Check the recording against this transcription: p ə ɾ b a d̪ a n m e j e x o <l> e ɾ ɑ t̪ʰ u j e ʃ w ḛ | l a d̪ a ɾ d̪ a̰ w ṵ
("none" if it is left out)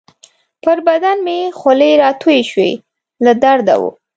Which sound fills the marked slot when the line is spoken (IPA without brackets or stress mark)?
l